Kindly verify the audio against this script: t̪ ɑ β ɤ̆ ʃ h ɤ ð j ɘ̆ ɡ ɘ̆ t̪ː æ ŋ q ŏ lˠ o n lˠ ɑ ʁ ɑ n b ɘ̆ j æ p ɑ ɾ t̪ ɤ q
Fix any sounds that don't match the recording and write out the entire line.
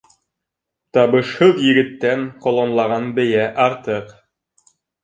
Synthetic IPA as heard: t̪ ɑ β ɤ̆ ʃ h ɤ ð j ɘ̆ ɡ ɘ̆ t̪ː æ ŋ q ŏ lˠ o n lˠ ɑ ʁ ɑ n b ɘ̆ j æ ʔ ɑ ɾ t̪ ɤ q